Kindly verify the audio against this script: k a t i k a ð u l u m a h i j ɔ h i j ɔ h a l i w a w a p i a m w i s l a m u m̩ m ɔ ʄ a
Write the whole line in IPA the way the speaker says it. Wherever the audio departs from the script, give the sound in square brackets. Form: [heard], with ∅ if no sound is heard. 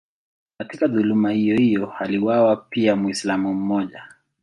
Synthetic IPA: k a t i k a ð u l u m a h i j ɔ h i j ɔ h a l i w a w a p i a m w i s l a m u m̩ m ɔ ʄ a